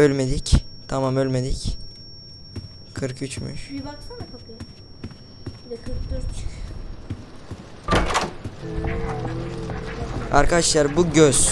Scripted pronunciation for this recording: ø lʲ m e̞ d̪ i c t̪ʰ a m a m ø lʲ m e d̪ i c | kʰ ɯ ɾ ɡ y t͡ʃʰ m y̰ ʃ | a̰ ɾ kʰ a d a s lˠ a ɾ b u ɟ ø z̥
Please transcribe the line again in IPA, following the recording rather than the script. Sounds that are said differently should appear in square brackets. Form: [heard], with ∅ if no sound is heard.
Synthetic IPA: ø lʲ m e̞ d̪ i c t̪ʰ a m a m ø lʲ m e d̪ i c | kʰ ɯ ɾ [k] y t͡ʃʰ m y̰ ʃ | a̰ ɾ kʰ a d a [ʃ] lˠ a ɾ b u ɟ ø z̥